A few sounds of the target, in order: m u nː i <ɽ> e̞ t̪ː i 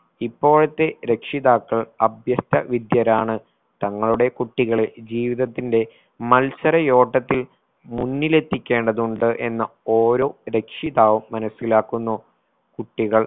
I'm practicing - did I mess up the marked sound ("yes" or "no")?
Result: yes